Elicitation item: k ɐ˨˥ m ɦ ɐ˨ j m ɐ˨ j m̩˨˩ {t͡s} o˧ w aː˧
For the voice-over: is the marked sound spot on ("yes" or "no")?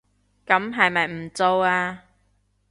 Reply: yes